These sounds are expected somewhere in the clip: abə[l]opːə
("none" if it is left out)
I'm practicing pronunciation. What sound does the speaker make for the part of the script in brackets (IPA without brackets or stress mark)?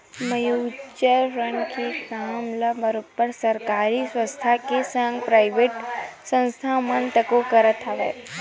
ɾ